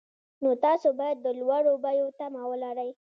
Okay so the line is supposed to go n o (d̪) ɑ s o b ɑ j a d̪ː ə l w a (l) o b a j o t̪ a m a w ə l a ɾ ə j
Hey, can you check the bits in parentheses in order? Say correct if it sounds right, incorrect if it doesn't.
incorrect: t̪, incorrect: ɽ

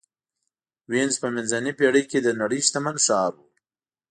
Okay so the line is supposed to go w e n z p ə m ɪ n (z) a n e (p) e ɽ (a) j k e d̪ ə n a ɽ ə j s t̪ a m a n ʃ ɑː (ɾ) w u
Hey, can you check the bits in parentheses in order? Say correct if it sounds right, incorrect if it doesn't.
correct, correct, incorrect: ə, correct

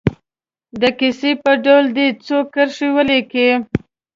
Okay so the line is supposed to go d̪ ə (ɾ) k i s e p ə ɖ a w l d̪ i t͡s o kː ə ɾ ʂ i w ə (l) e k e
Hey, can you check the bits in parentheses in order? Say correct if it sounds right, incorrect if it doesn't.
incorrect: none, correct

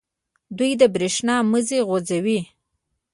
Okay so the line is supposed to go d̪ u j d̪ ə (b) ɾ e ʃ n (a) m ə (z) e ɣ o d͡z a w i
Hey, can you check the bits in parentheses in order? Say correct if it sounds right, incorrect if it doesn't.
correct, incorrect: ɑ, correct

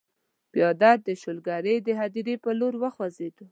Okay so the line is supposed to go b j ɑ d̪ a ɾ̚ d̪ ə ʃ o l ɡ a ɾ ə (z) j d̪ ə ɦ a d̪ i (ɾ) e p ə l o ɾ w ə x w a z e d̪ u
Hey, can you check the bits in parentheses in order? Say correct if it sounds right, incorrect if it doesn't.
incorrect: none, correct

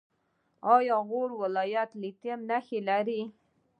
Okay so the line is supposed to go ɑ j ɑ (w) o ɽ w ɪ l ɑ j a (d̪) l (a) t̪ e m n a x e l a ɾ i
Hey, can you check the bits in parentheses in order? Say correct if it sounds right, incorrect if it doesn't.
incorrect: ɣ, incorrect: t̪, incorrect: i

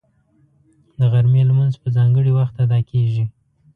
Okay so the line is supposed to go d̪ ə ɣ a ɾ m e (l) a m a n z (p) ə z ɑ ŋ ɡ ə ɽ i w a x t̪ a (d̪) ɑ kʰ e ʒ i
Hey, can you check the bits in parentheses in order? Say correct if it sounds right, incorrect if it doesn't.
correct, correct, correct

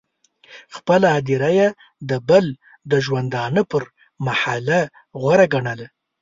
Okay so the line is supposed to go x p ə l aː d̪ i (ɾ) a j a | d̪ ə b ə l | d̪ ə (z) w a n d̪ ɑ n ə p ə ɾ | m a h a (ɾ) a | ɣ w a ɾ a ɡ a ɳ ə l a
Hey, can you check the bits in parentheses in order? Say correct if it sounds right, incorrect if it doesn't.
correct, incorrect: ʒ, incorrect: l

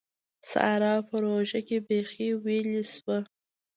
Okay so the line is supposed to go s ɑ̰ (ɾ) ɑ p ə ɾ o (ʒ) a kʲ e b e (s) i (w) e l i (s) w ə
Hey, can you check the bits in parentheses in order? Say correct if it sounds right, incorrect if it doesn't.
correct, correct, incorrect: x, correct, correct

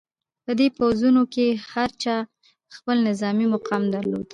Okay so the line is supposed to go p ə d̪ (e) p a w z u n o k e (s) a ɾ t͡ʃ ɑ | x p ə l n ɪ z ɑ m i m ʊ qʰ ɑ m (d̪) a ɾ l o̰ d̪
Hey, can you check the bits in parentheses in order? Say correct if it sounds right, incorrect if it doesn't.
correct, incorrect: h, correct

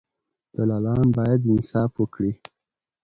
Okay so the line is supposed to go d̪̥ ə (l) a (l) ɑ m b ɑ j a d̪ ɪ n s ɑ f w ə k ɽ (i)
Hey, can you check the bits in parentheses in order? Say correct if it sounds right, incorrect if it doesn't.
correct, correct, correct

